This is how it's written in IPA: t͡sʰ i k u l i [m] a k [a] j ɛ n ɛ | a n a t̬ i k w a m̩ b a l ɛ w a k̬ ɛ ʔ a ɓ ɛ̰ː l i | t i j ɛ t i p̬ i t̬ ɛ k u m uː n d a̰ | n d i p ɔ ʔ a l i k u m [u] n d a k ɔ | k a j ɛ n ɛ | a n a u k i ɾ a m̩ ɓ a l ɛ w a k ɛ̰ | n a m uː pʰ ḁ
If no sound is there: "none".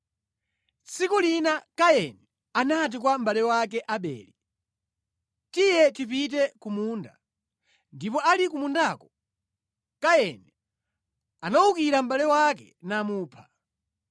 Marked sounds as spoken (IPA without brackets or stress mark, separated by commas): n, a, u